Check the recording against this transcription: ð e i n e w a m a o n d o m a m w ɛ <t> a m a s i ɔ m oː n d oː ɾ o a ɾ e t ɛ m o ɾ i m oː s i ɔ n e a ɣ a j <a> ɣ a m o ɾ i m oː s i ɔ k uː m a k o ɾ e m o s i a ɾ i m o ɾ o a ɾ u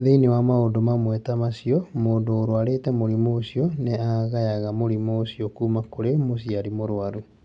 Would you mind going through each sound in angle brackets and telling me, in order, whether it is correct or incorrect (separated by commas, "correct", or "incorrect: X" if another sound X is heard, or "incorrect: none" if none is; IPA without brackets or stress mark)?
correct, correct